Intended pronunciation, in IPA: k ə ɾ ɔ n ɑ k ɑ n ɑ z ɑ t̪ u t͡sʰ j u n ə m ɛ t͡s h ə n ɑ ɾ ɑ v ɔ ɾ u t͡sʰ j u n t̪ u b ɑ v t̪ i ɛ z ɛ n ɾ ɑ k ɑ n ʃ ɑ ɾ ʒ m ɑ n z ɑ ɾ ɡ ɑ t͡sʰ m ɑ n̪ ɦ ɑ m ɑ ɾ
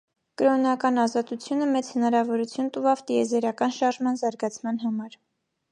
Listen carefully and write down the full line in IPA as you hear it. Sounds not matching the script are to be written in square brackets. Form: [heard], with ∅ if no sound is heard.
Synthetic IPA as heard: k ə ɾ ɔ n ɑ k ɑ n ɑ z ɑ t̪ u t͡sʰ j u n ə m ɛ t͡s h ə n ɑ ɾ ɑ v ɔ ɾ u t͡sʰ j u n t̪ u [v] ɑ v t̪ i ɛ z ɛ [∅] ɾ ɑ k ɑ n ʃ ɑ ɾ ʒ m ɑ n z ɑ ɾ ɡ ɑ t͡sʰ m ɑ n̪ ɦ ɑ m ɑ ɾ